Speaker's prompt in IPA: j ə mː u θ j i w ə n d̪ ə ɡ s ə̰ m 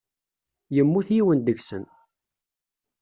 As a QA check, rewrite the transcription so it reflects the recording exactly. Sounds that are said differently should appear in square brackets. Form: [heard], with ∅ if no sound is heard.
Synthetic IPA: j ə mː u θ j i w ə n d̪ ə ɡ s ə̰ [n]

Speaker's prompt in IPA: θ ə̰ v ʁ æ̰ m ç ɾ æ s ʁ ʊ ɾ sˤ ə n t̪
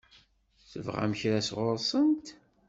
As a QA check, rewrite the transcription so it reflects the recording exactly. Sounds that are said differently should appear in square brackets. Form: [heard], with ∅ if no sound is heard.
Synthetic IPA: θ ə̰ v ʁ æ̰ m ç ɾ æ s ʁ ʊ ɾ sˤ ə n t̪

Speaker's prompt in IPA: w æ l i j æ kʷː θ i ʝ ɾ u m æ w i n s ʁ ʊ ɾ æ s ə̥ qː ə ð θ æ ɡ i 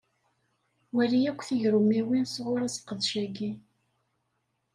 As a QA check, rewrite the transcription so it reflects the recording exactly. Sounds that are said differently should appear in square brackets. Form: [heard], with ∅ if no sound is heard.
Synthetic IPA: w æ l i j æ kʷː θ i ʝ ɾ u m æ w i n s ʁ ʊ ɾ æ s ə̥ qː ə ð [ʃ] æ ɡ i

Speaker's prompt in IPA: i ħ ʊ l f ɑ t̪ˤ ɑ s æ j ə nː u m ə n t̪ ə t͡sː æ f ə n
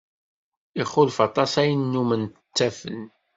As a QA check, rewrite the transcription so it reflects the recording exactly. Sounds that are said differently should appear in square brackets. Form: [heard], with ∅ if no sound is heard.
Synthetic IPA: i [χ] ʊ l f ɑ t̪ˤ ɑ s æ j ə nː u m ə n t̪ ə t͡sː æ f ə n

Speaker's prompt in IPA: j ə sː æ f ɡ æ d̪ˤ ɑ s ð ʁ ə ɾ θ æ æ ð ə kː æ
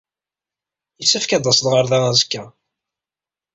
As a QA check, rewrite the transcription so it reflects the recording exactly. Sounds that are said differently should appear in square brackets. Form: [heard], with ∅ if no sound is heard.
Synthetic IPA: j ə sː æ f [k] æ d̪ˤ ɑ s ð ʁ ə ɾ [ð] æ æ [z] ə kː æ

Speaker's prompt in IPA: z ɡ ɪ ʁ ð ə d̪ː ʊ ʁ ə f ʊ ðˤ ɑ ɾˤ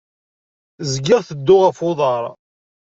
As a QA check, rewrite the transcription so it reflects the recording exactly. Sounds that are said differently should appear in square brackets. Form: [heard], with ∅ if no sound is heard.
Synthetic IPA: z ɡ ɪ ʁ [θ] ə d̪ː ʊ ʁ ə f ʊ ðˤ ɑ ɾˤ

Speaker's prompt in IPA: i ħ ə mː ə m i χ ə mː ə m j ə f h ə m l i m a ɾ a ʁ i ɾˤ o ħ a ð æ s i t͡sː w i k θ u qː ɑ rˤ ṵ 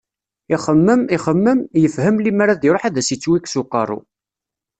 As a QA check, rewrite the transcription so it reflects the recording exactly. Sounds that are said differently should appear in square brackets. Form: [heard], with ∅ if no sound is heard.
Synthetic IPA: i [χ] ə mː ə m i χ ə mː ə m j ə f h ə m l i m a ɾ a [ð] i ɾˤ o ħ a ð æ s i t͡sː w i k [s] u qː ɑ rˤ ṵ

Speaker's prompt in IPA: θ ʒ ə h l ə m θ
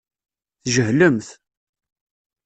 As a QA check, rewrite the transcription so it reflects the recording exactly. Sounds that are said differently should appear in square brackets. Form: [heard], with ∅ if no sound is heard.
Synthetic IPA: θ ʒ ə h l ə m θ

